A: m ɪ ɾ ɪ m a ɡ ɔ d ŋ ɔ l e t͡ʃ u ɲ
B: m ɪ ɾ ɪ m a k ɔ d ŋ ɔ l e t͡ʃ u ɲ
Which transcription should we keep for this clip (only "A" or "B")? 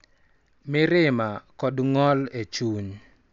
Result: B